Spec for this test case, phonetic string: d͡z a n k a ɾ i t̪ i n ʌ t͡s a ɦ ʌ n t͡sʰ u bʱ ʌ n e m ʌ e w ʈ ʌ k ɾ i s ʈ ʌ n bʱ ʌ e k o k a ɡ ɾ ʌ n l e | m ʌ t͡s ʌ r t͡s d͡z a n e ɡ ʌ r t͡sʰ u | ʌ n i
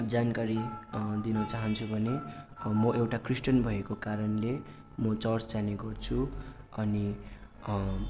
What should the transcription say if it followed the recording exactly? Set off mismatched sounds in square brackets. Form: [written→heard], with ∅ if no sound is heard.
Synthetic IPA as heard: d͡z a n k a ɾ i [t̪→d̪] i n ʌ t͡s a ɦ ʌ n t͡sʰ u bʱ ʌ n e m ʌ e w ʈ [ʌ→a] k [ɾ→r] i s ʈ ʌ n bʱ ʌ e k o k a [ɡ→∅] ɾ ʌ n l e | m ʌ t͡s ʌ r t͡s d͡z a n e ɡ ʌ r t͡sʰ u | ʌ n i